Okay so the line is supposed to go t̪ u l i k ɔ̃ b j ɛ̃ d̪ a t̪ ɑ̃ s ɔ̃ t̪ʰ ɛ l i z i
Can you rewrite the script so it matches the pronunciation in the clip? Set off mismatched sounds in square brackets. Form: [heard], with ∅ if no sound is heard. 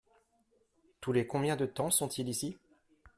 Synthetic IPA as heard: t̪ u l [e] k ɔ̃ b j ɛ̃ d̪ [ə] t̪ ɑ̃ s ɔ̃ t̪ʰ [i] l i [s] i